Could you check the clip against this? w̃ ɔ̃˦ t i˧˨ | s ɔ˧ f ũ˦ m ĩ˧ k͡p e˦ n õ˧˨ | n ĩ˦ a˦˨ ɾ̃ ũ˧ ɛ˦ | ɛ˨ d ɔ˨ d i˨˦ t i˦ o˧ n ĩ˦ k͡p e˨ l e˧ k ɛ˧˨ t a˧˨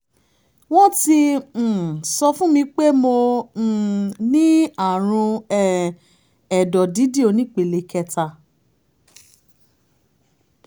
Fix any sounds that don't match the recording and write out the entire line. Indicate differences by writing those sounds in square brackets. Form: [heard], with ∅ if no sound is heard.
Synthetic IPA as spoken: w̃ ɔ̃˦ t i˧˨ | s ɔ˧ f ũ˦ m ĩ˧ k͡p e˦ [m] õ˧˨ | n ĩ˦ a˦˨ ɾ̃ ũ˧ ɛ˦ | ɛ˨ d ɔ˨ d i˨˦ [d] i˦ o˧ n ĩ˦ k͡p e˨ l e˧ k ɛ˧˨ t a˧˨